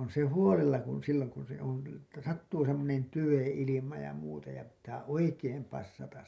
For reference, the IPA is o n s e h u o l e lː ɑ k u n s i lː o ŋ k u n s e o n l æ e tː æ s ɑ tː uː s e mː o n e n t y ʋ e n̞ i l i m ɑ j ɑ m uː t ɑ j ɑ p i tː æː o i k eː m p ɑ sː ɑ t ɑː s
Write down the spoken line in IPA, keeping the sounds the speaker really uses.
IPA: o n s e h u o l e lː ɑ k u n s i lː o ŋ k u n s e o n l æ e tː æ s ɑ tː uː s e mː o n e n t y ʋ e n̞ i l i m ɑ j ɑ m uː t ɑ j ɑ p i tː æː o i k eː m p ɑ sː ɑ t ɑ s